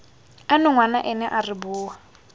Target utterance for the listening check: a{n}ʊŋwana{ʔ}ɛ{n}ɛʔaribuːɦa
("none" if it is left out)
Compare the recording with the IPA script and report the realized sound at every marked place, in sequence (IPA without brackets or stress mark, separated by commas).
n, ʔ, n